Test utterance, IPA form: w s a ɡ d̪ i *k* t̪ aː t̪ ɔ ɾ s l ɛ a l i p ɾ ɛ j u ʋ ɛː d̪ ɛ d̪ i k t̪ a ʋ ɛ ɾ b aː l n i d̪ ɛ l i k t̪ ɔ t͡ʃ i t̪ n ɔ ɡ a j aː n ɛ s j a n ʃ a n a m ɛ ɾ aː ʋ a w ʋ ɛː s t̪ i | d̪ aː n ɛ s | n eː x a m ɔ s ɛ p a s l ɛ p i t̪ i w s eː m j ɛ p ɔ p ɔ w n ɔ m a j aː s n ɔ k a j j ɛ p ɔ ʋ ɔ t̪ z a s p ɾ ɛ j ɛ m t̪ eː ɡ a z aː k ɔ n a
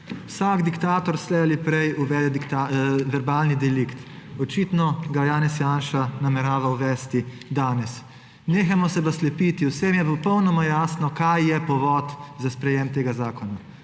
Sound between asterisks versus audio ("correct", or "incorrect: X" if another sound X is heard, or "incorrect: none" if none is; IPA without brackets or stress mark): correct